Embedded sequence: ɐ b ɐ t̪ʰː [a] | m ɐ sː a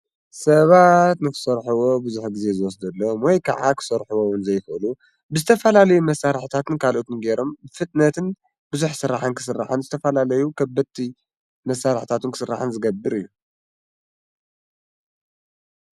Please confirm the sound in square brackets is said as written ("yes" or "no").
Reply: no